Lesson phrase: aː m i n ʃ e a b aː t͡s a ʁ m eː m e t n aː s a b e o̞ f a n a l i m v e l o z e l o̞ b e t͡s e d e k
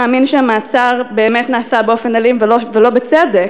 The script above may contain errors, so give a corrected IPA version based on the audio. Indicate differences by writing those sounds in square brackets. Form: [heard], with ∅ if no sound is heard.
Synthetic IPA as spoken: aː m i n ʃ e a [m] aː t͡s a ʁ [b] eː m e t n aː s a b e o̞ f [e] n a l i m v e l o [v] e l o̞ b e t͡s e d e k